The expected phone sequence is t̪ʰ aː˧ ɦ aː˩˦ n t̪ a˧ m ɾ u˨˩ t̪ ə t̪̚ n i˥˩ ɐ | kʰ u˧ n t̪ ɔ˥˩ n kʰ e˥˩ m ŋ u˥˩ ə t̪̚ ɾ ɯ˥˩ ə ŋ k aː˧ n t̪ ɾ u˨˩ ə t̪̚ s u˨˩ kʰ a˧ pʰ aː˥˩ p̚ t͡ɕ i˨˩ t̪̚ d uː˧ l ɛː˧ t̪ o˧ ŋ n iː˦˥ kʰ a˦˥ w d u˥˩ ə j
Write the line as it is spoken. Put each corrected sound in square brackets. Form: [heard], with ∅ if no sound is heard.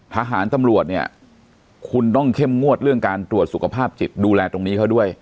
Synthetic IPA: t̪ʰ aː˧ ɦ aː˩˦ n t̪ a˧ m ɾ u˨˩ [∅] ə t̪̚ n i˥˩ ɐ | kʰ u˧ n t̪ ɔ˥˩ [ŋ] kʰ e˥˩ m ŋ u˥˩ ə t̪̚ ɾ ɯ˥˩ ə ŋ k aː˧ n t̪ ɾ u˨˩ ə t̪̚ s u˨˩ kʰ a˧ pʰ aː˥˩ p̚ t͡ɕ i˨˩ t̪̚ d uː˧ l ɛː˧ t̪ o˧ ŋ n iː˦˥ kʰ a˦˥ w d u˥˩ ə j